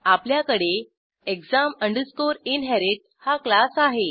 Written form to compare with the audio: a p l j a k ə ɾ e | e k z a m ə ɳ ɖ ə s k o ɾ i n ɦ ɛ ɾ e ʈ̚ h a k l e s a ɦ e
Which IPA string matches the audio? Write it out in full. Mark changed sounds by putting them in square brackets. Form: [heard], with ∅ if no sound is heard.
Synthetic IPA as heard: a p l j a k ə [ɽ] e | e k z a m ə ɳ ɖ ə s k o ɾ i n ɦ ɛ ɾ e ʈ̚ h a k l [a] s a ɦ e